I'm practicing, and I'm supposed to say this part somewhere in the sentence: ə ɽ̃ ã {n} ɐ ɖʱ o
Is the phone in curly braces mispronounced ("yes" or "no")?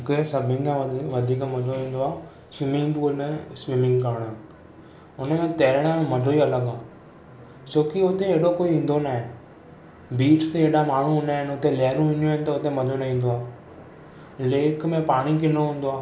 yes